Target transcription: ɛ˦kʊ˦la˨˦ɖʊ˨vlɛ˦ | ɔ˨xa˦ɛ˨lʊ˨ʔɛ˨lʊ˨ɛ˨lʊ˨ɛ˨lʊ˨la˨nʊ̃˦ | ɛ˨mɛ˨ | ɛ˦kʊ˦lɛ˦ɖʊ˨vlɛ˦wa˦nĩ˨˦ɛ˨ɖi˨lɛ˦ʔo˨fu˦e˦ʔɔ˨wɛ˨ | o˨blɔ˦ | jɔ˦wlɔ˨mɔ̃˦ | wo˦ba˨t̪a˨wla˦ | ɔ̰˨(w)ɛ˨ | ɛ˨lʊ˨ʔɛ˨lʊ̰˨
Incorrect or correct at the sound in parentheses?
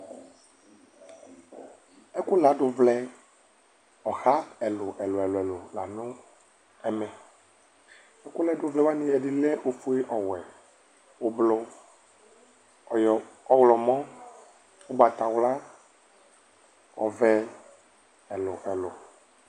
incorrect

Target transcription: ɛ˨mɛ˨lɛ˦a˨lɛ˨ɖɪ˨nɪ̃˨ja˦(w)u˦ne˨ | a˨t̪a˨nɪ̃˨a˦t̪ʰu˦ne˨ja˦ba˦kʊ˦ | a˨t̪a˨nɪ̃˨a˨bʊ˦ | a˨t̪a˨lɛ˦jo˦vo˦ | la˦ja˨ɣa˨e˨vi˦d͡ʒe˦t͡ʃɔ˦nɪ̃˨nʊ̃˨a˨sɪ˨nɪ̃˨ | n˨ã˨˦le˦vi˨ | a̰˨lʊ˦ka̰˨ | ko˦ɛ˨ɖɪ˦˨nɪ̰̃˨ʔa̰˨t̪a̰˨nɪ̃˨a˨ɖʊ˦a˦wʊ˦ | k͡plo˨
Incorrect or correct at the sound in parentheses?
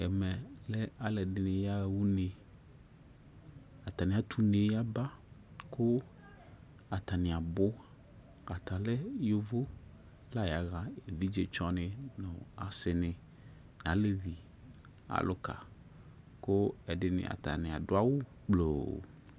correct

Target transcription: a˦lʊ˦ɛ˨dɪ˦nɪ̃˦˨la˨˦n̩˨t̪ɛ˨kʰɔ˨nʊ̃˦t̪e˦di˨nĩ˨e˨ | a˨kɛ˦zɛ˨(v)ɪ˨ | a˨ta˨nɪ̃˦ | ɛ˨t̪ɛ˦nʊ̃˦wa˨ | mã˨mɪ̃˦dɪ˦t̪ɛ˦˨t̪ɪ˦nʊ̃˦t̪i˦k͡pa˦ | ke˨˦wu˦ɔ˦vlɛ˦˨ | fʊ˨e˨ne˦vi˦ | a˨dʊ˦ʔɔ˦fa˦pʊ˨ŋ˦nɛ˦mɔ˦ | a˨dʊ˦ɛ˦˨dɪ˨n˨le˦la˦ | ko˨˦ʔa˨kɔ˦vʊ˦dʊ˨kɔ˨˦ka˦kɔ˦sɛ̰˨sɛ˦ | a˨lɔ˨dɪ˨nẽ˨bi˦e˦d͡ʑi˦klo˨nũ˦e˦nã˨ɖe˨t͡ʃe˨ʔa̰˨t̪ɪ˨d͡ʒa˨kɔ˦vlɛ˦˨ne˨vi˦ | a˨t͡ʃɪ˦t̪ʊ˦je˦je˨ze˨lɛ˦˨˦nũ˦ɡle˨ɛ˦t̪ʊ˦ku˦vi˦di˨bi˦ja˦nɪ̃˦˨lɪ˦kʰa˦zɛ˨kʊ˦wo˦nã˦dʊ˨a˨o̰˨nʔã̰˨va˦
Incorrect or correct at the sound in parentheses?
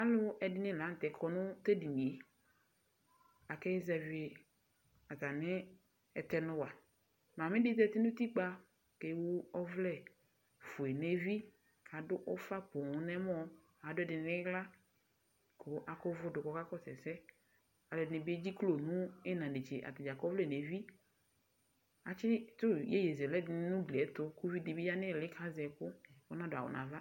correct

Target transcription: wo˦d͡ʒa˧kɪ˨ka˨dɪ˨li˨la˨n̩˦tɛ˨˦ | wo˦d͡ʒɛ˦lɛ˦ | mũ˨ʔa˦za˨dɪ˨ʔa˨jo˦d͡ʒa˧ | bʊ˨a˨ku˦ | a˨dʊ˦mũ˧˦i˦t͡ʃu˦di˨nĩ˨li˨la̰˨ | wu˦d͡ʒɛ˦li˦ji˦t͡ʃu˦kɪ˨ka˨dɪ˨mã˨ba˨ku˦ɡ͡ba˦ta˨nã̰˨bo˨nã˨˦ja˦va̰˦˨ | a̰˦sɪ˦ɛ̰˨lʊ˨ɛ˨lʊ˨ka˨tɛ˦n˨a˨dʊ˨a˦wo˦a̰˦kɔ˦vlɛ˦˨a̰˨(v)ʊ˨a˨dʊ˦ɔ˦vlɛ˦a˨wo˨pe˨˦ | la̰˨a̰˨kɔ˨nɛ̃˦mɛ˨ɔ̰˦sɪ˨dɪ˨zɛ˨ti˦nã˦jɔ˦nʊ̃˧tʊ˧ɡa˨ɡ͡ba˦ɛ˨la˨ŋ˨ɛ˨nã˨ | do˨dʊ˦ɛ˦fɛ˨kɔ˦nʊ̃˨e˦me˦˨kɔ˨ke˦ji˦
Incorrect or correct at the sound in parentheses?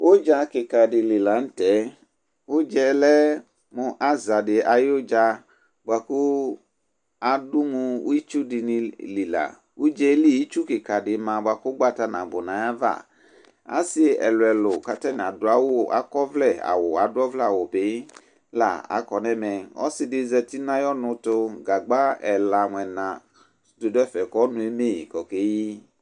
incorrect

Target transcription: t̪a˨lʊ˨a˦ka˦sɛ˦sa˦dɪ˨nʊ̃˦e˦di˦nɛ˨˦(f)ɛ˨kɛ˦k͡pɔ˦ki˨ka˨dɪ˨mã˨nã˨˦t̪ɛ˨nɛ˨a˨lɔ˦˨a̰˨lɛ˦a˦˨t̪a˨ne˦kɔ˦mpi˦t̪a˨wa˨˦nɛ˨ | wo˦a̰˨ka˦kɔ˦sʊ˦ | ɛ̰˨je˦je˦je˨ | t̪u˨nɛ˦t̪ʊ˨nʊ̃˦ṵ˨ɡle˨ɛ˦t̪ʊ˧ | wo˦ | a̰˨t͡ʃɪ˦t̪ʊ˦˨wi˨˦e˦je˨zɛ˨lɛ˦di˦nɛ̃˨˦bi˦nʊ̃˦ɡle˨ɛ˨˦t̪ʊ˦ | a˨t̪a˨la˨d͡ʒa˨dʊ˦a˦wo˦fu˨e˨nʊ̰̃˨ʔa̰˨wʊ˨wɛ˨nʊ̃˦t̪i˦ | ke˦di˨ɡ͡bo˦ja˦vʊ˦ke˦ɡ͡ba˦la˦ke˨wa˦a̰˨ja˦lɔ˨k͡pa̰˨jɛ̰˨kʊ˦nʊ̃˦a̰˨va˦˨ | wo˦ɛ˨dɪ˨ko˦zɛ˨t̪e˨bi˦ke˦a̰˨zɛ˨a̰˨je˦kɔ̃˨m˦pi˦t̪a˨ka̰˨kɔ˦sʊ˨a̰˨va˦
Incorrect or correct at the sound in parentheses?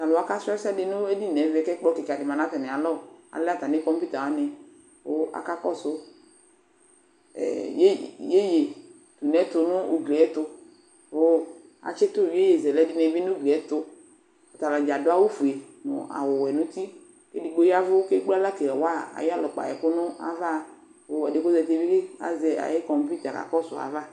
incorrect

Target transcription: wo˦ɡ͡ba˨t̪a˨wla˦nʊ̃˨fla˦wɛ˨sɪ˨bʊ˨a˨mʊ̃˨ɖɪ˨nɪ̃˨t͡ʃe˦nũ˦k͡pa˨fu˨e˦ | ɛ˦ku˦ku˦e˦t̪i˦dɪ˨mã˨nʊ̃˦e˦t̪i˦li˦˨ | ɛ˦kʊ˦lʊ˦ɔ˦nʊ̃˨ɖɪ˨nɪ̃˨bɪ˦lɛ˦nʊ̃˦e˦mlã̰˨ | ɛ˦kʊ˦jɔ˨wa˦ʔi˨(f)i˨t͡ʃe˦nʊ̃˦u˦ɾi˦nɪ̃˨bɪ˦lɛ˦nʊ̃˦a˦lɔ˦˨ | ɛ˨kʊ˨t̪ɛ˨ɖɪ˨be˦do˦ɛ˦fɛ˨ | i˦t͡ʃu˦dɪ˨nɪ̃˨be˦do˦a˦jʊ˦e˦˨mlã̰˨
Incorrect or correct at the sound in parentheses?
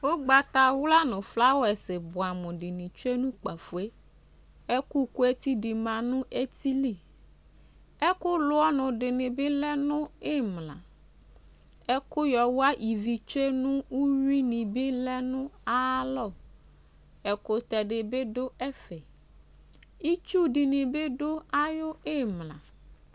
incorrect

